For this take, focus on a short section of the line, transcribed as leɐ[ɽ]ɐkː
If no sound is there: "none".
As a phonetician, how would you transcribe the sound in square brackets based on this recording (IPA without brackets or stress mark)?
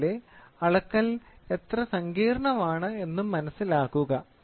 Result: ɭ